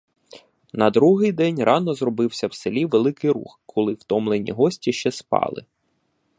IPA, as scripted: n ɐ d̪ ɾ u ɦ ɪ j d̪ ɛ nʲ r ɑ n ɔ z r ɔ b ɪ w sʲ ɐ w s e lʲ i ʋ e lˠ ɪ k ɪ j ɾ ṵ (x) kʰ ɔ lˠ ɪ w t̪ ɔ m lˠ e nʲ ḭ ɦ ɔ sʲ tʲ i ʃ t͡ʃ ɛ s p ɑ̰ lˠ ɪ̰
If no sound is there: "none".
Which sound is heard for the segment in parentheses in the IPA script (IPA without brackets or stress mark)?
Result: x